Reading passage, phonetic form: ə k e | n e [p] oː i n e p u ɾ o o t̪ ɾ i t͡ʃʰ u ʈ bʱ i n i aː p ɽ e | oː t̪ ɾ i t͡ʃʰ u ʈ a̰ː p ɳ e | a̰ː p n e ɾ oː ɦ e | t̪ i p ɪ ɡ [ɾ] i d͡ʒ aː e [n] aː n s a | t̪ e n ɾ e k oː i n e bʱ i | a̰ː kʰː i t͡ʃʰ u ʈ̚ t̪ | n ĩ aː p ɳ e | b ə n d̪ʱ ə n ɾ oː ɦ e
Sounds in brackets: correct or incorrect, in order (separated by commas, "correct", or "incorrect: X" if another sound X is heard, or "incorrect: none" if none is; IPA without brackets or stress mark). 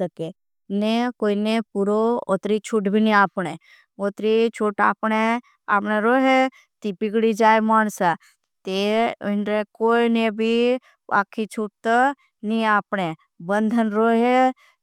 incorrect: k, incorrect: ɽ, incorrect: m